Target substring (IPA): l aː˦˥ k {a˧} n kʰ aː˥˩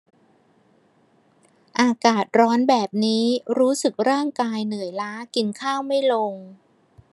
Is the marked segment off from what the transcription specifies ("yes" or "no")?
yes